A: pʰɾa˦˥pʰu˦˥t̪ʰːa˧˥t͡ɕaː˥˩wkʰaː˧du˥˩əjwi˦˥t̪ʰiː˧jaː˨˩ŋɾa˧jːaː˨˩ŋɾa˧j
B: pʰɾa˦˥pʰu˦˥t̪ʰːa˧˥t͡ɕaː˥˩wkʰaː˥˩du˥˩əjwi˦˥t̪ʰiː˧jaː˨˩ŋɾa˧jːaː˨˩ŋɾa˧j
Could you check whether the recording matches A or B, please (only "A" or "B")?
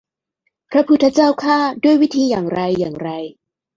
B